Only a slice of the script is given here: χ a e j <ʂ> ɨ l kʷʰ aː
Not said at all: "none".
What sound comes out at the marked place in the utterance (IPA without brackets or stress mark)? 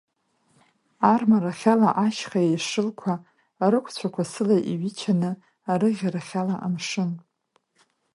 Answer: ʂ